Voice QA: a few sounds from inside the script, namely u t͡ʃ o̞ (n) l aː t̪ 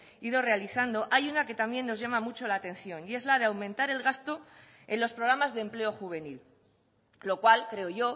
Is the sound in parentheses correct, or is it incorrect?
incorrect